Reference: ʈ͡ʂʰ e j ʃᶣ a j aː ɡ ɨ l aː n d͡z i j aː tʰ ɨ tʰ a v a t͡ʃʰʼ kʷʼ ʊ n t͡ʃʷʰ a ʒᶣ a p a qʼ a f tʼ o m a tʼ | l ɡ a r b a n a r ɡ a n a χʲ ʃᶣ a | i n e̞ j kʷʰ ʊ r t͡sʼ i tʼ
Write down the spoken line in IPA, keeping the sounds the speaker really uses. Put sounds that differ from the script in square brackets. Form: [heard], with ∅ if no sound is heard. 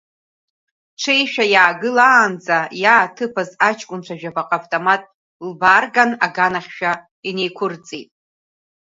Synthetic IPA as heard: ʈ͡ʂʰ e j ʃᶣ a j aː ɡ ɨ l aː n d͡z [a] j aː tʰ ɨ [pʰ] a [z] a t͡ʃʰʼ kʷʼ ʊ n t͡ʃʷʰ a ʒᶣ a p a qʼ a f tʼ o m a tʼ | l [b] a r [ɡ] a n a [∅] ɡ a n a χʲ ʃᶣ a | i n e̞ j kʷʰ ʊ r t͡sʼ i tʼ